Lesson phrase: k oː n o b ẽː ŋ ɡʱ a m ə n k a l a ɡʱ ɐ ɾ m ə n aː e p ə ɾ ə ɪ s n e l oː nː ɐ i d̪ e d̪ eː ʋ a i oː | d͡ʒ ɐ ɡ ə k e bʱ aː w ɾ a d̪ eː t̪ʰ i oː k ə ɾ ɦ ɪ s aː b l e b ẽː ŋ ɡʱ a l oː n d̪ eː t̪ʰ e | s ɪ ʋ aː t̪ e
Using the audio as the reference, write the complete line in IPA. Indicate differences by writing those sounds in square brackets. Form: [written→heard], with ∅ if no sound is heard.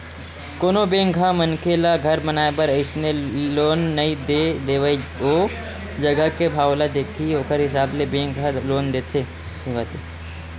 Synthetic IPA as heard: k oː n o b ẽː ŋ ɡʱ a m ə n k [a→e] l a ɡʱ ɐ ɾ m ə n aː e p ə ɾ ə ɪ s n e l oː nː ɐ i d̪ e d̪ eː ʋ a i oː | d͡ʒ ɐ ɡ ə k e bʱ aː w [ɾ→l] a d̪ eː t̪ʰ i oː k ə ɾ ɦ ɪ s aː b l e b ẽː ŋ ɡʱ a l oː n d̪ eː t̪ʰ e | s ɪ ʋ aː t̪ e